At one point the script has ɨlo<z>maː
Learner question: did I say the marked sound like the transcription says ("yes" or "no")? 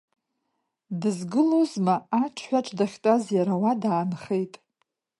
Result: yes